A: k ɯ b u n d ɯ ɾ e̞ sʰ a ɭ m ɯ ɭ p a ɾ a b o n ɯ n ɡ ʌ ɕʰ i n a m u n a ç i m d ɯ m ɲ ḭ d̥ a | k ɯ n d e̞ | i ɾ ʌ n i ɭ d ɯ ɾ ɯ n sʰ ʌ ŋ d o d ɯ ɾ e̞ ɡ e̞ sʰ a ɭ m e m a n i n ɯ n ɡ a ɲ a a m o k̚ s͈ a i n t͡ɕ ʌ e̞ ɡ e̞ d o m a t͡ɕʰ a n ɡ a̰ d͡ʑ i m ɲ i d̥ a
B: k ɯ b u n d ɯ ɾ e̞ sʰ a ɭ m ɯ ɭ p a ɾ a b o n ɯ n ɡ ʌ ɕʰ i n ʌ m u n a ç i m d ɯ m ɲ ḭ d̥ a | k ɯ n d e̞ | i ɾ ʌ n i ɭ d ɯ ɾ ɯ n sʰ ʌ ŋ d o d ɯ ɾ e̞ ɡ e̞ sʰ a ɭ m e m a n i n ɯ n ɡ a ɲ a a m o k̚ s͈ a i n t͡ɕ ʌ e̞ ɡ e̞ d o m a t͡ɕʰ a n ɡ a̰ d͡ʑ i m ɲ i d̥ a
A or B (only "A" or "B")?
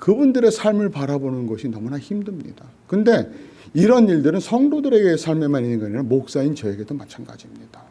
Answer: B